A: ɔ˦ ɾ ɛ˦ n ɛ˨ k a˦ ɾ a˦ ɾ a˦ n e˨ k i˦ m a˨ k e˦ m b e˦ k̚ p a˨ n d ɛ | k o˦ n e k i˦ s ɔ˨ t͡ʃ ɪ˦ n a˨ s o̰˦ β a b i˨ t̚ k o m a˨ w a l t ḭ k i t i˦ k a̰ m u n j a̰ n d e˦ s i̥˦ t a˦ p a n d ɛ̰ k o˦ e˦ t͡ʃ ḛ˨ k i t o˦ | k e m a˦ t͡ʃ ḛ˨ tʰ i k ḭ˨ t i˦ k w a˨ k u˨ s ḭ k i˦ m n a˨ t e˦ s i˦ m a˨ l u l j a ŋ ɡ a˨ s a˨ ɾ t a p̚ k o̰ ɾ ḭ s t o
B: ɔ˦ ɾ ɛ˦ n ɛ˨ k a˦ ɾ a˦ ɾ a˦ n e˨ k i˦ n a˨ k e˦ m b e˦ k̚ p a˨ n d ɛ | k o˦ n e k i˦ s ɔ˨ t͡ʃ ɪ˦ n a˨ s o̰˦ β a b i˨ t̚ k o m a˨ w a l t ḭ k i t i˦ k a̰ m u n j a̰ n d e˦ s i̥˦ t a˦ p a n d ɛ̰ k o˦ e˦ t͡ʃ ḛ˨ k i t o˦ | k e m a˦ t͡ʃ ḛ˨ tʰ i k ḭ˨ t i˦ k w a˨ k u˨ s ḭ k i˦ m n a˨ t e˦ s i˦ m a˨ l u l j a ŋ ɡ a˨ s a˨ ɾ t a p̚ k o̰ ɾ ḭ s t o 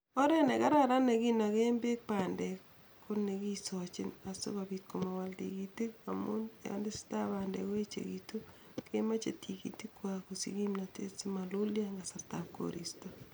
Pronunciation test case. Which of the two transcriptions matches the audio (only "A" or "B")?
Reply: B